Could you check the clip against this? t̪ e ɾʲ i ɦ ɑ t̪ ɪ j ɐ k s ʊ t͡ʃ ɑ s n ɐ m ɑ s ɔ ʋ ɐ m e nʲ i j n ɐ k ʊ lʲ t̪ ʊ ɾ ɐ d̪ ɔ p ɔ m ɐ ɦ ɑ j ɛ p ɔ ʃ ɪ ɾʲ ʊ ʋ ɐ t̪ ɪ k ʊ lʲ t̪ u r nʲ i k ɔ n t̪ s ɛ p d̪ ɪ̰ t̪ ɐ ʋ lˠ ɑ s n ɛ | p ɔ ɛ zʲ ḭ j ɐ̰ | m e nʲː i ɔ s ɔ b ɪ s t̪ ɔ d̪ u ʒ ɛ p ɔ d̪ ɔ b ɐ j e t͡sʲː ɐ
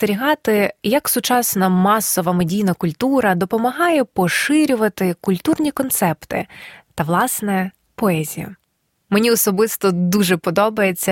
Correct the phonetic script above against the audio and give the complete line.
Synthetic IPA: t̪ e ɾʲ i ɦ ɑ t̪ ɪ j ɐ k s ʊ t͡ʃ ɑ s n ɐ m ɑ s ɔ ʋ ɐ m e dʲ i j n ɐ k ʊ lʲ t̪ u ɾ ɐ d̪ ɔ p ɔ m ɐ ɦ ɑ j ɛ p ɔ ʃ ɪ ɾʲ ʊ ʋ ɐ t̪ ɪ k ʊ lʲ t̪ u r nʲ i k ɔ n t̪ s ɛ p t̪ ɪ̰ t̪ ɐ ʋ lˠ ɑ s n ɛ | p ɔ ɛ zʲ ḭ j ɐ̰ | m e nʲ i ɔ s ɔ b ɪ s t̪ ɔ d̪ u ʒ ɛ p ɔ d̪ ɔ b ɐ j e t͡sʲː ɐ